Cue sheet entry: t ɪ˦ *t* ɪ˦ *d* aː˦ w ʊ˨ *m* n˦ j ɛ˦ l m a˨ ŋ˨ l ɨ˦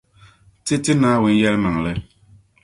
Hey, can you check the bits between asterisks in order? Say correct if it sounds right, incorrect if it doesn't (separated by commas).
correct, incorrect, incorrect